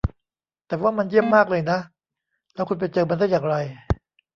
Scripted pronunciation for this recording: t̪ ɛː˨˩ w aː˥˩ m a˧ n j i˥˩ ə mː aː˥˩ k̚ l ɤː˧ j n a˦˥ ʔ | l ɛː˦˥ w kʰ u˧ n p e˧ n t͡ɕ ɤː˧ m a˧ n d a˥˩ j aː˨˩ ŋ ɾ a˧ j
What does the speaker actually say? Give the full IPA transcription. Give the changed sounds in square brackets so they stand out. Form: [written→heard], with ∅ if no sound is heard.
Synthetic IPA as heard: t̪ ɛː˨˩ w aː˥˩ m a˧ n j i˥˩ ə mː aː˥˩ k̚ l ɤː˧ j n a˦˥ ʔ | l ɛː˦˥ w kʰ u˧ n p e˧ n t͡ɕ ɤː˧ m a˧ n d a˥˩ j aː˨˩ ŋ ɾ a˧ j